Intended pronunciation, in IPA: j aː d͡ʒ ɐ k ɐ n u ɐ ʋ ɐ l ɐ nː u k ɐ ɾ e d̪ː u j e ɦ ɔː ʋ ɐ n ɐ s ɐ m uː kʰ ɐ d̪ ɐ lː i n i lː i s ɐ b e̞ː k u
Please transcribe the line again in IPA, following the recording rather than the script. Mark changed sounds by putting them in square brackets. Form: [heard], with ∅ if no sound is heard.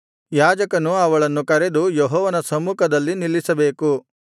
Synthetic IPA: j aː d͡ʒ ɐ k ɐ n u ɐ ʋ ɐ [ɭ] ɐ nː u k ɐ ɾ e [d̪] u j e ɦ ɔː ʋ ɐ n ɐ s ɐ m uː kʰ ɐ d̪ ɐ lː i n i lː i s ɐ b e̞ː k u